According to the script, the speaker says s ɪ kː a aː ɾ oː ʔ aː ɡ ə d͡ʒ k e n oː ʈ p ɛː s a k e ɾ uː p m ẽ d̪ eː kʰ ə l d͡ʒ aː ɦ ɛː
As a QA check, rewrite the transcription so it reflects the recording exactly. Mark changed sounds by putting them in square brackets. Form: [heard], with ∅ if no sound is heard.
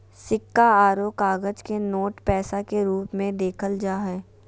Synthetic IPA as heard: s ɪ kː a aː ɾ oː [k] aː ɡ ə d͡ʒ k e n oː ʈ p ɛː s a k e ɾ uː p m ẽ d̪ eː kʰ ə l d͡ʒ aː ɦ ɛː